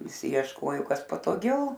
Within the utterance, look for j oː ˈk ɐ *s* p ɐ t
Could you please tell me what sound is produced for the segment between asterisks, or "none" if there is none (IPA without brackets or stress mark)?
s